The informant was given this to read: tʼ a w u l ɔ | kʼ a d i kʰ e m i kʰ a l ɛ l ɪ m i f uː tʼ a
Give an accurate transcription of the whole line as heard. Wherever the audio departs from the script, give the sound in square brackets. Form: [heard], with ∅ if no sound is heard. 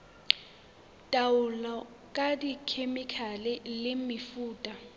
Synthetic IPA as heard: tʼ a w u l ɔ | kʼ a d i kʰ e m i kʰ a l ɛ l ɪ m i f uː tʼ a